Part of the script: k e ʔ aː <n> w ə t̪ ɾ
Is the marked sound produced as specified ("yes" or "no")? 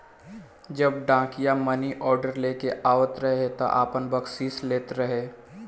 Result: no